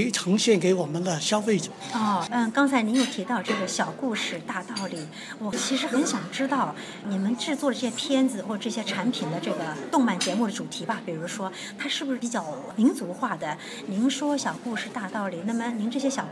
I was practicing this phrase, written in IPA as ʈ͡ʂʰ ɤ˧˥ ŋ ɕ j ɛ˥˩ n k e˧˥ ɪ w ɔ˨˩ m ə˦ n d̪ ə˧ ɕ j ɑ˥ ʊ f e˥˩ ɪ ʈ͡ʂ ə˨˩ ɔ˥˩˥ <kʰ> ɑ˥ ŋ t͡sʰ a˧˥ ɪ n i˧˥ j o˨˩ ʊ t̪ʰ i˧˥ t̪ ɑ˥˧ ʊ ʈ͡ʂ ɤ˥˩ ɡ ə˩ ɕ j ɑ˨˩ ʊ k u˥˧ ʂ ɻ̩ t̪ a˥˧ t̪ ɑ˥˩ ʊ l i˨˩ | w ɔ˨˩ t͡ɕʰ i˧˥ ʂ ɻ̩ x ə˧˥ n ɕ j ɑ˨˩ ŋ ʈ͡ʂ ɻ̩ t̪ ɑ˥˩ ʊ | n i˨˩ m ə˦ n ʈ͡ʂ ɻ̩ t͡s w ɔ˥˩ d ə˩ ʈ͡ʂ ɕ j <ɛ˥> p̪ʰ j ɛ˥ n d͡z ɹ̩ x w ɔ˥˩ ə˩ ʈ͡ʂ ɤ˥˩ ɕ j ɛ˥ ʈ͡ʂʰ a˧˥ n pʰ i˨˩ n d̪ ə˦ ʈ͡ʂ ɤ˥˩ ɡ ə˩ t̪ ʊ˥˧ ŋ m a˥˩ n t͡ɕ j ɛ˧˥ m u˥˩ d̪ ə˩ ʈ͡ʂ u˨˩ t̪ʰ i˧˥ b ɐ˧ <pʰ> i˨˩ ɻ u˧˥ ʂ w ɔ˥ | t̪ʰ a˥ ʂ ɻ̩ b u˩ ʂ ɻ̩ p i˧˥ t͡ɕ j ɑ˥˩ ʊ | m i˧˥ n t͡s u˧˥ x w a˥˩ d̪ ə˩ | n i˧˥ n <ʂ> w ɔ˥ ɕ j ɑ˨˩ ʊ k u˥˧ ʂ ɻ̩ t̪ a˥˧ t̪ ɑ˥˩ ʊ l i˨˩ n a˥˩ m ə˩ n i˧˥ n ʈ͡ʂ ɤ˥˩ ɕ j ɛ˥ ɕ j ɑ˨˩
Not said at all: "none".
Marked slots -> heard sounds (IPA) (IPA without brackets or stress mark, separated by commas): k, ɛ˥, p, ʂ